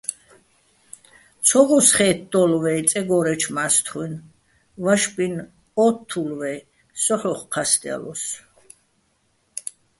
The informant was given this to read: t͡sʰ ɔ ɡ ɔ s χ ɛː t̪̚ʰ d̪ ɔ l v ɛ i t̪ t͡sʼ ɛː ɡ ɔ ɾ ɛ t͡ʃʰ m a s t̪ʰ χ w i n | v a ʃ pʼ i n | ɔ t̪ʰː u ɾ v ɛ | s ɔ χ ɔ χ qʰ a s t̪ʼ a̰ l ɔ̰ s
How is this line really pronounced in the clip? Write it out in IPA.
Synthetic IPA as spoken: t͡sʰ ɔ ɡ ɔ s χ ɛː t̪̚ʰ d̪ ɔ l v ɛ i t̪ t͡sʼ ɛ ɡ ɔ ɾ ɛ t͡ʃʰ m a s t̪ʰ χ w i n | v a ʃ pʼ i n | ɔ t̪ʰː u l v ɛ | s ɔ χ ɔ χ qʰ a s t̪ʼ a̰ l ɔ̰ s